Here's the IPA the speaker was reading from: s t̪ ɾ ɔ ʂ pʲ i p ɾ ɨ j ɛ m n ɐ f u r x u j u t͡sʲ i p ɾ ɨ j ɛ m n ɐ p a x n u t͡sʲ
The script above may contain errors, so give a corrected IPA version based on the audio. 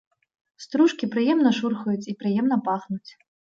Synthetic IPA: s t̪ ɾ u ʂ kʲ i p ɾ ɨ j ɛ m n ɐ ʂ u r x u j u t͡sʲ i p ɾ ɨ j ɛ m n ɐ p a x n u t͡sʲ